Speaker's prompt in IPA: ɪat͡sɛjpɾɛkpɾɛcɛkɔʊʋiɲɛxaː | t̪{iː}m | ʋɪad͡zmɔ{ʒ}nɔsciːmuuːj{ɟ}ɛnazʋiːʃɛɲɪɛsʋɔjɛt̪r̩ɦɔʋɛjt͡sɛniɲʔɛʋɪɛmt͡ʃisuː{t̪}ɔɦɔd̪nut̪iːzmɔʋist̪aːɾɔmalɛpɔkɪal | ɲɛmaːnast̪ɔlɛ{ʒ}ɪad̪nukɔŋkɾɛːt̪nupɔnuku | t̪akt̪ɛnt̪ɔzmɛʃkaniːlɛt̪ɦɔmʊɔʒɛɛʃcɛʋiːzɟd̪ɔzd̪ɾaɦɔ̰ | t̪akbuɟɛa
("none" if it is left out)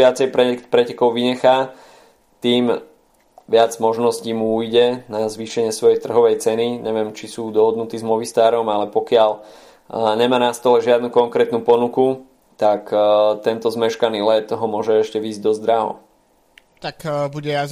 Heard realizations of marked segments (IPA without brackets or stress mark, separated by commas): iː, ʒ, ɟ, d̪, ʒ